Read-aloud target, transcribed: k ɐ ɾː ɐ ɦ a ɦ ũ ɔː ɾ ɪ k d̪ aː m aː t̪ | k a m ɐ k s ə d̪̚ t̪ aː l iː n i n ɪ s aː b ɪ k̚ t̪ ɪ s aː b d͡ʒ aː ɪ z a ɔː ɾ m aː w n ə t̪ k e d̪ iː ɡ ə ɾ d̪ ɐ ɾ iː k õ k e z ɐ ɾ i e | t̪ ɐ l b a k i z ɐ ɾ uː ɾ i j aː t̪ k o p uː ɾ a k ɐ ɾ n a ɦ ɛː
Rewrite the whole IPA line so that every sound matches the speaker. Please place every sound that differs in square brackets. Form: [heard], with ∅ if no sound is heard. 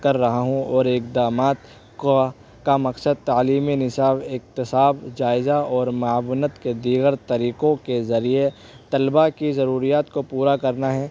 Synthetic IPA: k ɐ ɾː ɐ ɦ a ɦ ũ ɔː ɾ ɪ k d̪ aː m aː t̪ | k a m ɐ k s ə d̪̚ t̪ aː l iː [m] i n ɪ s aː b ɪ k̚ t̪ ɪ s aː b d͡ʒ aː ɪ z a ɔː ɾ m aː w n ə t̪ k e d̪ iː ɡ ə ɾ [t̪] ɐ ɾ iː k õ k e z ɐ ɾ i e | t̪ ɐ l b a k i z ɐ ɾ uː ɾ i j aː t̪ k o p uː ɾ a k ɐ ɾ n a ɦ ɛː